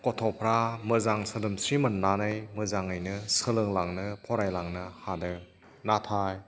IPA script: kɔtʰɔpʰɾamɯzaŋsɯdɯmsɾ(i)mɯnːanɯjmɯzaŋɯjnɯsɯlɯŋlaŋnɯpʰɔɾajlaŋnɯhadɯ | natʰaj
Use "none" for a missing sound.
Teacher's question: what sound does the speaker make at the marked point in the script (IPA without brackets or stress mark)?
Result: i